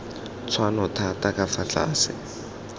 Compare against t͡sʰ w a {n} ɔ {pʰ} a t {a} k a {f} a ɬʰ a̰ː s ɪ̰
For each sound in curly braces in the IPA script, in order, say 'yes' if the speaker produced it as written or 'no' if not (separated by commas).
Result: yes, no, yes, yes